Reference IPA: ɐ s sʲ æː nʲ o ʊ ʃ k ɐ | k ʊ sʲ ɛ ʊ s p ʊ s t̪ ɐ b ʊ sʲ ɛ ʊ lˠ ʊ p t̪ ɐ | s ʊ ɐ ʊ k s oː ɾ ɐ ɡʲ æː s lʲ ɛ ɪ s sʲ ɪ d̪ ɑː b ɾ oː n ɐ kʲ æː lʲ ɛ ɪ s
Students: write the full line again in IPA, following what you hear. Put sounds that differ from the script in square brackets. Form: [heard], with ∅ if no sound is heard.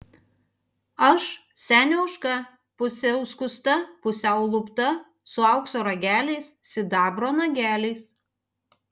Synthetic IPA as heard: ɐ [ʃ] sʲ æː nʲ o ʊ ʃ k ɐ | [p] ʊ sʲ ɛ ʊ s [k] ʊ s t̪ ɐ [p] ʊ sʲ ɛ ʊ lˠ ʊ p t̪ ɐ | s ʊ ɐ ʊ k s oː ɾ ɐ ɡʲ æː [∅] lʲ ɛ ɪ s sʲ ɪ d̪ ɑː b ɾ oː n ɐ [ɡʲ] æː lʲ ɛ ɪ s